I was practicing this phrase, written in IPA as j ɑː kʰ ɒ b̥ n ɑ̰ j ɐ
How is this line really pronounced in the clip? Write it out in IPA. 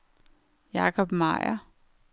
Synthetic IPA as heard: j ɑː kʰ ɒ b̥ m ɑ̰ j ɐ